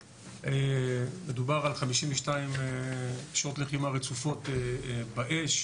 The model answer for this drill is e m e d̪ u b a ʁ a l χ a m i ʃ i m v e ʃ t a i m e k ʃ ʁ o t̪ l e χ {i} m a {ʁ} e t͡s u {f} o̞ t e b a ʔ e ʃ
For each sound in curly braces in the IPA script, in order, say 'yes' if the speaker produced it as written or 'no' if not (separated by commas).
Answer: yes, yes, yes